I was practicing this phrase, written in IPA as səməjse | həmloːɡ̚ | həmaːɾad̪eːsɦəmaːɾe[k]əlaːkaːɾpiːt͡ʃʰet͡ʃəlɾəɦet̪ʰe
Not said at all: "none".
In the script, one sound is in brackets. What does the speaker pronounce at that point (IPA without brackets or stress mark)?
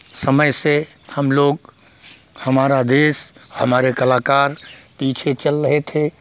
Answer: k